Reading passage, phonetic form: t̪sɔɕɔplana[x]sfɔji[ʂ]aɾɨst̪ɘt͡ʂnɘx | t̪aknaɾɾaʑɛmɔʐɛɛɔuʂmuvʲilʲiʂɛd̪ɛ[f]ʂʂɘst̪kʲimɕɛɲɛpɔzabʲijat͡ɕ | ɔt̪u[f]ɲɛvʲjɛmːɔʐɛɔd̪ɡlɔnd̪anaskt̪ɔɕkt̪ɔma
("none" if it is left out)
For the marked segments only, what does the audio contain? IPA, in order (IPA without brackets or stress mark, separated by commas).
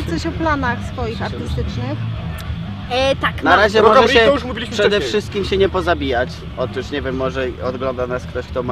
x, x, f, ʂ